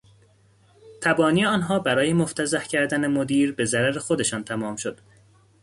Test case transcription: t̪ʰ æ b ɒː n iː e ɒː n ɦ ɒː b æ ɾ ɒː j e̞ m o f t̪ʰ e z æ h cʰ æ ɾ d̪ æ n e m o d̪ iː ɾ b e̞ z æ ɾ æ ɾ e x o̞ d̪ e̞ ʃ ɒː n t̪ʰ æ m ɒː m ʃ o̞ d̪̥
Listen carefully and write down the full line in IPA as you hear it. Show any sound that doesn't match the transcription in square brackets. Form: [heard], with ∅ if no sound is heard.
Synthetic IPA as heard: t̪ʰ æ b ɒː n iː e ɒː n ɦ ɒː b æ ɾ ɒː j e̞ m o f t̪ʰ [æ] z æ h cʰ æ ɾ d̪ æ n e m o d̪ iː ɾ b e̞ z æ ɾ æ ɾ e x o̞ d̪ e̞ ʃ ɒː n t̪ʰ æ m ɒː m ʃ o̞ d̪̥